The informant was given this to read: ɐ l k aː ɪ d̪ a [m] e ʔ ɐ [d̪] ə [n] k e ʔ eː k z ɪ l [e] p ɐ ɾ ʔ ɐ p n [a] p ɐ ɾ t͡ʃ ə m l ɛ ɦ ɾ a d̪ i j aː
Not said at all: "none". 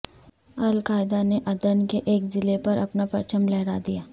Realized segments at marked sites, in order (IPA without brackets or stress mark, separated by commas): n, d̪, n, e, a